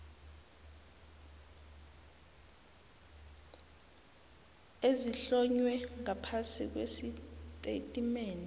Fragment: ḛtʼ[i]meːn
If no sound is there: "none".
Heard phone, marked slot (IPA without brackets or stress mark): i